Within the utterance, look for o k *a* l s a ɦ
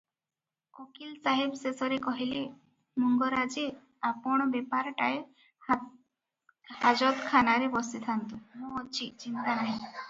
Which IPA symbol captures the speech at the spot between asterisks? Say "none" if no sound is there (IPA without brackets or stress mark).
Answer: i